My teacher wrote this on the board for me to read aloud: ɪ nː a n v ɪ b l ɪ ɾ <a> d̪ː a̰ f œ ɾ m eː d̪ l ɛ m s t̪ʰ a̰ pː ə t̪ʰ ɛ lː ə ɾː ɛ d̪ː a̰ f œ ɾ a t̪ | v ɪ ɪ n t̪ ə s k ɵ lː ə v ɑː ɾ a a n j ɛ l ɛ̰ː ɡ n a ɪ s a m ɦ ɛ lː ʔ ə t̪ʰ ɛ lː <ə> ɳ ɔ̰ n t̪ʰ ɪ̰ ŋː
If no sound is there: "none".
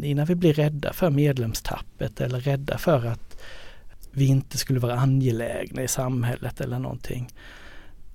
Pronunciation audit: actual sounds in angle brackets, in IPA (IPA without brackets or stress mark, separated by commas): ɛ, ə